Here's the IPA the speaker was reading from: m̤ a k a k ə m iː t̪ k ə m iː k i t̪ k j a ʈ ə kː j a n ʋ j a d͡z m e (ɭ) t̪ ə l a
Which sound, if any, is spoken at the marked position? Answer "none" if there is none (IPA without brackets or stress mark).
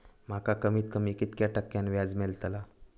l